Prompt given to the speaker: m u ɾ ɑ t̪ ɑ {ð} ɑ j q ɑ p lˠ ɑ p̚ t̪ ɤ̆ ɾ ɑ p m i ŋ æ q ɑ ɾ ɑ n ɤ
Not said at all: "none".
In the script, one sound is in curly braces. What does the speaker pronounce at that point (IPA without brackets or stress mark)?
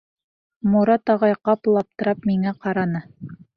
ʁ